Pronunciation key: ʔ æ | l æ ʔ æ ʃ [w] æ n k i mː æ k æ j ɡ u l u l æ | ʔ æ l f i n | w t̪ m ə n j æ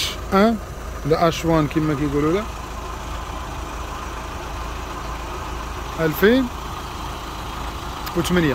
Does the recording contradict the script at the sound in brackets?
no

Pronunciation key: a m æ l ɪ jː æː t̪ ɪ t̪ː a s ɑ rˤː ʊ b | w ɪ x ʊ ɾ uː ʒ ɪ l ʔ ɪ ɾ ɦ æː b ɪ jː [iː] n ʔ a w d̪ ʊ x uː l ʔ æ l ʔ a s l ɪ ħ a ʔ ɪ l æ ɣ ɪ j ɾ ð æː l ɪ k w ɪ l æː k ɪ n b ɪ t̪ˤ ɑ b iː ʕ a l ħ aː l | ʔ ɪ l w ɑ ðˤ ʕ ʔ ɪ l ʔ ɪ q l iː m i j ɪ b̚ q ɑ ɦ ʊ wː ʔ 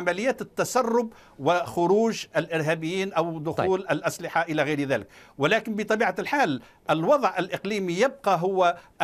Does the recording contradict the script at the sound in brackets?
no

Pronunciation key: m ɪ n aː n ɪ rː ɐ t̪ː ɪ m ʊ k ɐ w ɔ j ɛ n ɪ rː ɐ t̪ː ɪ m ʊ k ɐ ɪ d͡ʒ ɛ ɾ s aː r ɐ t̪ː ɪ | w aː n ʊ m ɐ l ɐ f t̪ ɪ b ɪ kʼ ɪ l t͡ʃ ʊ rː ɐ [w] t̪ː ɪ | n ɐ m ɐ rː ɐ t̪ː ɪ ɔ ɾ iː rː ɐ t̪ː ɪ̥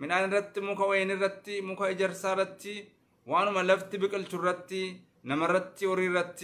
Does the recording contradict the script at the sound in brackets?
yes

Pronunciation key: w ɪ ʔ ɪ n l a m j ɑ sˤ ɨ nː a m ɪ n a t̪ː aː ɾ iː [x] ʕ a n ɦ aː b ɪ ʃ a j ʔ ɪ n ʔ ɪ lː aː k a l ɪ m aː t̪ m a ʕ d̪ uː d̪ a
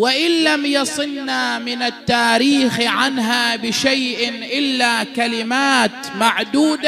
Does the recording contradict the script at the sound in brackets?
no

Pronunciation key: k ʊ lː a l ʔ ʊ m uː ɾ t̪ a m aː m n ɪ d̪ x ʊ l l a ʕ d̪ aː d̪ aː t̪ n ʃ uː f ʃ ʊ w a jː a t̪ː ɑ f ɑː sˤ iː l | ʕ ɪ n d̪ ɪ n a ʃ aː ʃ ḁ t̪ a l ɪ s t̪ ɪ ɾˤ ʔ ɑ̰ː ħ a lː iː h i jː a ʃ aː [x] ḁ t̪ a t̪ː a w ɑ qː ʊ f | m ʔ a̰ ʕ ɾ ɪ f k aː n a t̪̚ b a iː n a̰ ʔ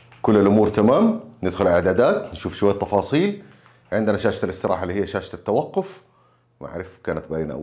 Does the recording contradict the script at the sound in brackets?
yes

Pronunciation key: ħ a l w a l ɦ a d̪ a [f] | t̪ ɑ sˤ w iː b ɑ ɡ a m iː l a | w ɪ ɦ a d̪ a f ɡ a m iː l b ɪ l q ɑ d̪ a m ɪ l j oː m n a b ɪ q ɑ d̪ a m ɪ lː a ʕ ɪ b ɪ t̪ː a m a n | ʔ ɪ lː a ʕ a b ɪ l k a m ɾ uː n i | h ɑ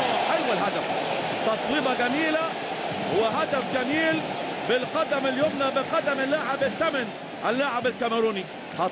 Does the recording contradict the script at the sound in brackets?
no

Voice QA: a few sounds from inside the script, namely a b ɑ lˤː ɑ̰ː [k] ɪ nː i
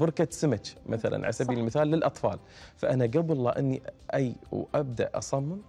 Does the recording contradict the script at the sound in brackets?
yes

